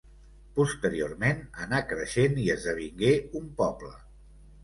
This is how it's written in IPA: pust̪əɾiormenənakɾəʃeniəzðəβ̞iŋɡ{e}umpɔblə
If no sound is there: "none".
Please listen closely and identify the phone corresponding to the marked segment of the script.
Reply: e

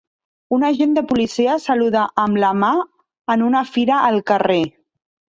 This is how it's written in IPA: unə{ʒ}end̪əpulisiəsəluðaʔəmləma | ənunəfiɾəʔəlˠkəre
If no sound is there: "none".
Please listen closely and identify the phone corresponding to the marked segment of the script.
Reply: ʒ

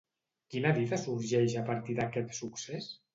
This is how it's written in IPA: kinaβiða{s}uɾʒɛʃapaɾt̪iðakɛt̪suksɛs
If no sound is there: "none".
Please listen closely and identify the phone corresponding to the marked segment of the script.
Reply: s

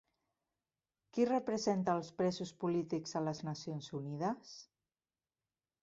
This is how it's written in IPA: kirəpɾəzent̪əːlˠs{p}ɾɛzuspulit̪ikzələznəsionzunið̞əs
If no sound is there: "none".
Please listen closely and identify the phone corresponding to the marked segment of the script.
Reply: p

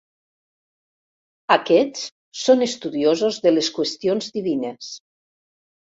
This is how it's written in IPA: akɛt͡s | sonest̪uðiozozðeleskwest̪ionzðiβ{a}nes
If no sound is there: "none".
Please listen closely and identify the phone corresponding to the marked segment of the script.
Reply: i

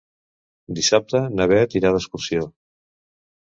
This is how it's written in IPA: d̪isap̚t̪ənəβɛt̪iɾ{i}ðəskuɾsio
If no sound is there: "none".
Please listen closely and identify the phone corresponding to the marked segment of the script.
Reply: a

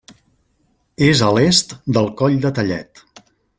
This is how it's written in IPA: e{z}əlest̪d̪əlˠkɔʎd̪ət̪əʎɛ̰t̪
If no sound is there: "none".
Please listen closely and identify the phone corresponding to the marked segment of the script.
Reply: z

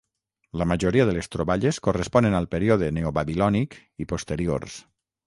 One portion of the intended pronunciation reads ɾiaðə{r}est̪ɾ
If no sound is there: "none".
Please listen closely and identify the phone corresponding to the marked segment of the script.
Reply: l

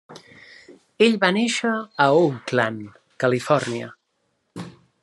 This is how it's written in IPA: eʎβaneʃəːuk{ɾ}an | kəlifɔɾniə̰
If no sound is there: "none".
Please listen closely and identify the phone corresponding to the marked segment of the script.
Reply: l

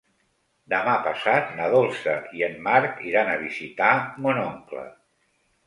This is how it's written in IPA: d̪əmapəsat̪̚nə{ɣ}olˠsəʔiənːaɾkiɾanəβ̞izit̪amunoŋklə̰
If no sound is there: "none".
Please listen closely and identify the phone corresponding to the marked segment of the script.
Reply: ð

